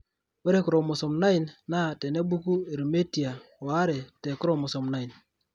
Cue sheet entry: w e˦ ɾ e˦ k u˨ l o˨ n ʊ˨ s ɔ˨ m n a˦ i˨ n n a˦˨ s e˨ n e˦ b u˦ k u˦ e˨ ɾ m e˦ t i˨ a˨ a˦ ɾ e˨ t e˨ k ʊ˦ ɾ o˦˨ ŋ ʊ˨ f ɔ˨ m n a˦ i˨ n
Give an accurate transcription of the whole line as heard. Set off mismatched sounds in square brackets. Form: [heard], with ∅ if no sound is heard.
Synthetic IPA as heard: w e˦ ɾ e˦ k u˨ [ɾ] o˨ [m] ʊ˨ s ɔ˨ m n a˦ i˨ n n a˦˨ [t] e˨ n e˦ b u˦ k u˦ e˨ ɾ m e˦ t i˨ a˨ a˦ ɾ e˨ t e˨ k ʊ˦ ɾ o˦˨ [m] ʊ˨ [s] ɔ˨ m n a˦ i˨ n